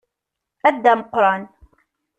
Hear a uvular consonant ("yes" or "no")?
yes